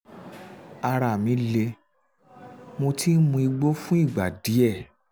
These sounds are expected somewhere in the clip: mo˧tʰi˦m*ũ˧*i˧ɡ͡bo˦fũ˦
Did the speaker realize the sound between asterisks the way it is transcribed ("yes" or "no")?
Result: yes